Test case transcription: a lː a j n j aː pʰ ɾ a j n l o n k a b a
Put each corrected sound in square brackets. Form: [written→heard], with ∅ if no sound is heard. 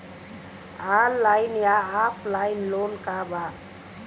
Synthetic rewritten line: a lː a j n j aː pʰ [ɾ→l] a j n l o n k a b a

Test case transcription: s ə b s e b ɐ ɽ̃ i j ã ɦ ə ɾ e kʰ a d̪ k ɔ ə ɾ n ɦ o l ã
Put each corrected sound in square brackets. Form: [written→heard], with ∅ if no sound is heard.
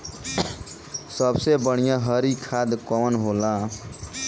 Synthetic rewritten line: s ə b s e b [ɐ→ə] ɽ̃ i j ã ɦ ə ɾ [e→i] kʰ a d̪ k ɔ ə [ɾ→∅] n ɦ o l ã

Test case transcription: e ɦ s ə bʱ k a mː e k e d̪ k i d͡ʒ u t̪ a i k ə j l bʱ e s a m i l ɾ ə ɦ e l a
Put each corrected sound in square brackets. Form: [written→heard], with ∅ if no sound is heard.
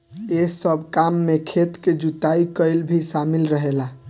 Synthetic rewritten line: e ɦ s ə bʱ k a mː e [k→kʰ] e [d̪→t̪] k [i→e] d͡ʒ u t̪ a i k ə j l bʱ [e→i] s a m i l ɾ ə ɦ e l a

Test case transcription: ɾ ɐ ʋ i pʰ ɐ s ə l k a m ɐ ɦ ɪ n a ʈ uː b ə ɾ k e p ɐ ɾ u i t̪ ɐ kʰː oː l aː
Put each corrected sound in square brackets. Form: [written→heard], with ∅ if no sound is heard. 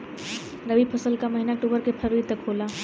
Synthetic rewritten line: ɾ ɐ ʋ i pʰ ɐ s ə l k a m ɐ ɦ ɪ n a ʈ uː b ə ɾ k e [p→pʰ] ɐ ɾ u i t̪ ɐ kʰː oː l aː

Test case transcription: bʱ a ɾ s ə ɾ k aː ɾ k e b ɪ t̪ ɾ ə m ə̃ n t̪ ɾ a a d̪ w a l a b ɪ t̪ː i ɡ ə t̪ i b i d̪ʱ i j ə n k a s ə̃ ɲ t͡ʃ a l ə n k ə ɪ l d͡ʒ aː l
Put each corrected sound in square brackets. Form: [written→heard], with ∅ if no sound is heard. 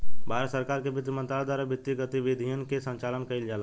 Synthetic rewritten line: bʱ a ɾ s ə ɾ k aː ɾ k e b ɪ t̪ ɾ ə m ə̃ n t̪ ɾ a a d̪ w a [l→ɾ] a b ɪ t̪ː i ɡ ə t̪ i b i d̪ʱ i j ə n k [a→e] s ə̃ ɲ t͡ʃ a l ə n k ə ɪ l d͡ʒ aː l

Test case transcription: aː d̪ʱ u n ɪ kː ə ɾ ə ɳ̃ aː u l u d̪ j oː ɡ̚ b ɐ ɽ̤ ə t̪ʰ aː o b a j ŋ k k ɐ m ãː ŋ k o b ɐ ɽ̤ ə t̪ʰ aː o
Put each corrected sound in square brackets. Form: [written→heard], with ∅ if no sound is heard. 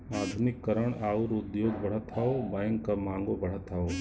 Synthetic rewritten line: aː d̪ʱ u n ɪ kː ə ɾ ə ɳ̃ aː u [l→ɾ] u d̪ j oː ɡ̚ b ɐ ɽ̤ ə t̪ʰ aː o b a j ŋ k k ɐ m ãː ŋ [k→ɡ] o b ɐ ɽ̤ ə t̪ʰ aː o

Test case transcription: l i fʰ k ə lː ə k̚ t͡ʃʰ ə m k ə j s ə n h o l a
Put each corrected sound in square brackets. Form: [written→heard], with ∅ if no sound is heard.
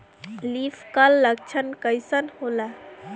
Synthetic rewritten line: l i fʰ k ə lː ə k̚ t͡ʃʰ ə [m→n] k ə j s ə n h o l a

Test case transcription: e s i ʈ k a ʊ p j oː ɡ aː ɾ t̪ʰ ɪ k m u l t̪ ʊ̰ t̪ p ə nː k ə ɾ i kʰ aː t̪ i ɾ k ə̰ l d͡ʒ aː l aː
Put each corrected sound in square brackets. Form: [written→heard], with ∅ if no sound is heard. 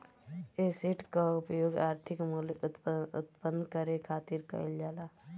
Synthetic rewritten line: e s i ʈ k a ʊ p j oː ɡ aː ɾ t̪ʰ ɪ k m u l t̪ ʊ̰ t̪ p ə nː k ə ɾ [i→e] kʰ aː t̪ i ɾ k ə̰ l d͡ʒ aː l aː

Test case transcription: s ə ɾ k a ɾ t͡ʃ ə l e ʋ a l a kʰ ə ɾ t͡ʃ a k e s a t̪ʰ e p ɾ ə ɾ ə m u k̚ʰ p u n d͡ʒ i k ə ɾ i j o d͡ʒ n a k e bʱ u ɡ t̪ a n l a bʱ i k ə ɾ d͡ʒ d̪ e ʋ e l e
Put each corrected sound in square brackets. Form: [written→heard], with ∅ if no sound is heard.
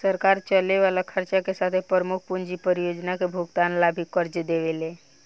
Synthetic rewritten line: s ə ɾ k a ɾ t͡ʃ ə l e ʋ a l a kʰ ə ɾ t͡ʃ a k e s a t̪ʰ e p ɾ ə ɾ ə m u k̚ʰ p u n d͡ʒ i [k→p] ə ɾ i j o d͡ʒ n a k e bʱ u ɡ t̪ a n l a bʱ i k ə ɾ d͡ʒ d̪ e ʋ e l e

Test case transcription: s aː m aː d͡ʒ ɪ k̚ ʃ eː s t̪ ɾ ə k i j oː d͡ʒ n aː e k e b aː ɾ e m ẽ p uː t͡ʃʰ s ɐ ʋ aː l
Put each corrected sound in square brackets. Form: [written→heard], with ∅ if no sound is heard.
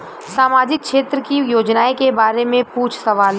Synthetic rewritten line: s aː m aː d͡ʒ ɪ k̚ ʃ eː [s→∅] t̪ ɾ ə k i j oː d͡ʒ n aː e k e b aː ɾ e m ẽ p uː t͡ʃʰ s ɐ ʋ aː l

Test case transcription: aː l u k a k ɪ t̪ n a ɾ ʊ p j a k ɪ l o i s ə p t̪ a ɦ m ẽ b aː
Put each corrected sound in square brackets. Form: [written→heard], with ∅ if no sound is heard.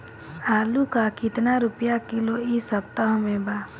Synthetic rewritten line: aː l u k a k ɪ t̪ n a ɾ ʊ p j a k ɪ l o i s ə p t̪ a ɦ m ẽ b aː

